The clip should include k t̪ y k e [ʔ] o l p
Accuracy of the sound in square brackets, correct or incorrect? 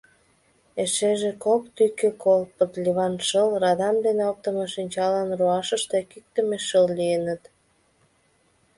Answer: incorrect